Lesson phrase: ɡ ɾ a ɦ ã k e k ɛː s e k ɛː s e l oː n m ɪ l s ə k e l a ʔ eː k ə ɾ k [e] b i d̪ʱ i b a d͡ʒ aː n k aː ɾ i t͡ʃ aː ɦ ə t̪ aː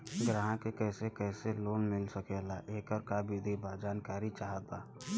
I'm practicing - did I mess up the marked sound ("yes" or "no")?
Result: yes